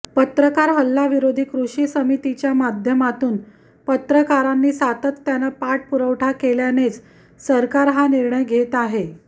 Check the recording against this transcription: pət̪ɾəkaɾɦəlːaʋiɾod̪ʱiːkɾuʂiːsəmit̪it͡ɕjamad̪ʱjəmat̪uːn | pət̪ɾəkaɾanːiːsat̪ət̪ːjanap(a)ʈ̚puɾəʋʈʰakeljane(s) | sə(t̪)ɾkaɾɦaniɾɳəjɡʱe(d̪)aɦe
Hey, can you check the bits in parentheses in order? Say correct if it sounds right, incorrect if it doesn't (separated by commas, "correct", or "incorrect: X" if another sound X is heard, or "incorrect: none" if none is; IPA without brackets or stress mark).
correct, incorrect: t͡s, incorrect: none, incorrect: t̪